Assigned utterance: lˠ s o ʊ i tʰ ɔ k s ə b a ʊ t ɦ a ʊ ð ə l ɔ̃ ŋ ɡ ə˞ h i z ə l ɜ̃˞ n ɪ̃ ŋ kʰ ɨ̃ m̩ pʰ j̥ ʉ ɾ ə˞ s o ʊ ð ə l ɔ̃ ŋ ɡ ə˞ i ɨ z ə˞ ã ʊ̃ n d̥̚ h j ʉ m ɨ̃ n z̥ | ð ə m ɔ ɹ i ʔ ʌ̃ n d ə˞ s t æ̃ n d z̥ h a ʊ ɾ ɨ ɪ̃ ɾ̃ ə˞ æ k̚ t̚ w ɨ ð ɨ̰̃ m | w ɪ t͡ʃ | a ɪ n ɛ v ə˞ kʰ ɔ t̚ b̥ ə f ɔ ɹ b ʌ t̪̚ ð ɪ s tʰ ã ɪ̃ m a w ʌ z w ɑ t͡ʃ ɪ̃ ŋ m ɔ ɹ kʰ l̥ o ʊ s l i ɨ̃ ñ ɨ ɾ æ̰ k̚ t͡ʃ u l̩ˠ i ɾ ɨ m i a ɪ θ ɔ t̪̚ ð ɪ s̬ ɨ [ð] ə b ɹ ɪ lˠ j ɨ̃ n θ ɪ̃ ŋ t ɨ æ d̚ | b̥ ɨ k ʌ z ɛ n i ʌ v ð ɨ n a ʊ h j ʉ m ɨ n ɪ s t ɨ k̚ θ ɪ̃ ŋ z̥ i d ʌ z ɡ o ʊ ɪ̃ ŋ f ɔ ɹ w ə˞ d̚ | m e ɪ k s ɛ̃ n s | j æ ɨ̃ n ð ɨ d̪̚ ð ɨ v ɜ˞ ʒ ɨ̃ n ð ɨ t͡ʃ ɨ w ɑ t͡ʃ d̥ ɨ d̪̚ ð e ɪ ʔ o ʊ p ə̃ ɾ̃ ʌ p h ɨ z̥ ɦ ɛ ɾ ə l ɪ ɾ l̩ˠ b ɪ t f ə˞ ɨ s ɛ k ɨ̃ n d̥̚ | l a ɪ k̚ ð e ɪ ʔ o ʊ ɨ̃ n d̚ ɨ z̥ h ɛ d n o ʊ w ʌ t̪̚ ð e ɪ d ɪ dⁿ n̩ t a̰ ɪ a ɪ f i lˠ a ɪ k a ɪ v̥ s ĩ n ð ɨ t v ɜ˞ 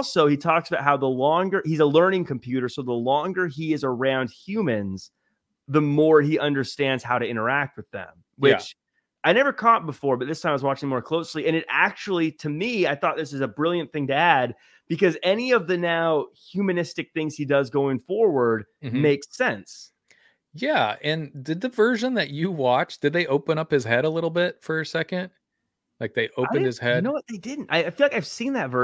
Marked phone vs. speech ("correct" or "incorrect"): incorrect